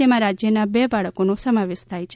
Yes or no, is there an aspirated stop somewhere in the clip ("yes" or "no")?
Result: yes